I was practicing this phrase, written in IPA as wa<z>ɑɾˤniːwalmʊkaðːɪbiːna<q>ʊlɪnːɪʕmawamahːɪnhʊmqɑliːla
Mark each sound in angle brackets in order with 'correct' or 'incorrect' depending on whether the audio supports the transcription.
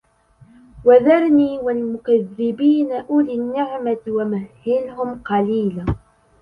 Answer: incorrect: ð, incorrect: ʔ

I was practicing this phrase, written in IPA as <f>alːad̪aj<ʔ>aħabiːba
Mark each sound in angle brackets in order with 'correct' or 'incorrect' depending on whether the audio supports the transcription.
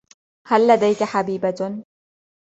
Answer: incorrect: h, incorrect: k

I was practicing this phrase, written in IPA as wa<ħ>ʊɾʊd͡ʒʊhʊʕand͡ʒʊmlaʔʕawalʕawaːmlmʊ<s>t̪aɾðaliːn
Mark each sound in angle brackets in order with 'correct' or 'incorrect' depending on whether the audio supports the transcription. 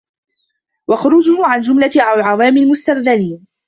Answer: incorrect: x, correct

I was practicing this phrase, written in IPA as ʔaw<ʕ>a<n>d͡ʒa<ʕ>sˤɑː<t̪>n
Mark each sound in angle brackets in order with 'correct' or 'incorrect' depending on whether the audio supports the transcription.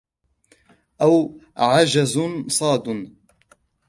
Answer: correct, incorrect: none, incorrect: z, incorrect: d̪

